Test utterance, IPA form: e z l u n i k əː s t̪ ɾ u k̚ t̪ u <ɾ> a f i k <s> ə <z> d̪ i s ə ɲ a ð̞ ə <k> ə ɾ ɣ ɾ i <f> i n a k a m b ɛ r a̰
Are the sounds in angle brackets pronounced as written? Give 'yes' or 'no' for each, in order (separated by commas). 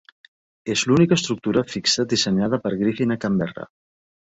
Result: yes, yes, no, no, yes